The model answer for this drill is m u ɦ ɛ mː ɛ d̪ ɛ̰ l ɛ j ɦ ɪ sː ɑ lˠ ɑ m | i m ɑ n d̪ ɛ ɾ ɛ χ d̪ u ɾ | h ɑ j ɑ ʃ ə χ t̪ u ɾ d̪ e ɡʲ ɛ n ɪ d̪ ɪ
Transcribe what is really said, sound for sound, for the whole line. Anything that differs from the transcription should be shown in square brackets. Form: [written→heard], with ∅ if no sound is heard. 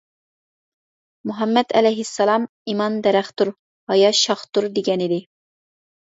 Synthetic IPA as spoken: m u ɦ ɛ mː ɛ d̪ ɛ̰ l ɛ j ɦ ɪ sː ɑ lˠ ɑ m | i m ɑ n d̪ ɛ ɾ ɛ χ [d̪→t̪] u ɾ | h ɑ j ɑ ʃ [ə→ɑ] χ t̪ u ɾ d̪ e ɡʲ ɛ n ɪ d̪ ɪ